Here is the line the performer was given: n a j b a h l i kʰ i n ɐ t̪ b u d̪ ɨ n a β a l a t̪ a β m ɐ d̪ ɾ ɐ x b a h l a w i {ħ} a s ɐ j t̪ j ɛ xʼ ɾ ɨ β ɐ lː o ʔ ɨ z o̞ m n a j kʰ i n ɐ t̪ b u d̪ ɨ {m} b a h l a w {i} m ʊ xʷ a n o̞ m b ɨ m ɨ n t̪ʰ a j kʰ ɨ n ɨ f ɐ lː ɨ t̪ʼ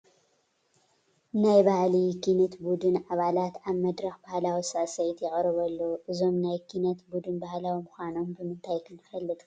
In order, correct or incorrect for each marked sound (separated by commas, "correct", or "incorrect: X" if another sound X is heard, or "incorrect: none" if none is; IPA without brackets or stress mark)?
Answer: incorrect: s, incorrect: n, correct